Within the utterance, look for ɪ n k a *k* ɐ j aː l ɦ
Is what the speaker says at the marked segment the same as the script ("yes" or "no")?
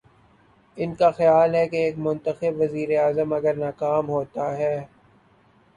no